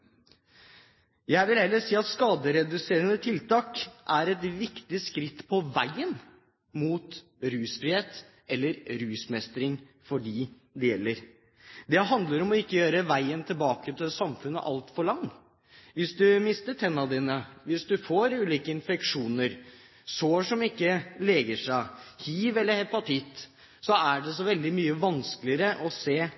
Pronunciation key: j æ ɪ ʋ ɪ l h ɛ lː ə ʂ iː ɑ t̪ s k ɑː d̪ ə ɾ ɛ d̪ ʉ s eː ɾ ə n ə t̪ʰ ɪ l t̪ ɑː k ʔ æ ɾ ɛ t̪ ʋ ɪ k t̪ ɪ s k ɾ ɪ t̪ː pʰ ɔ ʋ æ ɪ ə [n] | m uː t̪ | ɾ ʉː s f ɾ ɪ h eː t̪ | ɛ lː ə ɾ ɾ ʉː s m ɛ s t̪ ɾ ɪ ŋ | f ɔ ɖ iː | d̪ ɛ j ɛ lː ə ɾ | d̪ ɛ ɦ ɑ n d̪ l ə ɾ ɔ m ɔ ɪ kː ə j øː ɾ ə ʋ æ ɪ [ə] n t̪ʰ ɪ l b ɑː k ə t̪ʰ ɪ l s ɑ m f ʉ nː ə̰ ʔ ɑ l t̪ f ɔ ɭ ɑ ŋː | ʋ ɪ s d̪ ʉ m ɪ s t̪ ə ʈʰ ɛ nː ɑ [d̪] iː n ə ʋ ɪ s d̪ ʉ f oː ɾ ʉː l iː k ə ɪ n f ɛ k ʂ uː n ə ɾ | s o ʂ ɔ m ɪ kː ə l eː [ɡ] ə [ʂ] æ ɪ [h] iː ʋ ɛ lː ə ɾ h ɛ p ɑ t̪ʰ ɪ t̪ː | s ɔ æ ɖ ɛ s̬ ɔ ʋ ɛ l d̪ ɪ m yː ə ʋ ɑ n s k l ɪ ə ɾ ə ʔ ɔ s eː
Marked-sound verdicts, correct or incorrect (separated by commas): correct, correct, correct, correct, correct, correct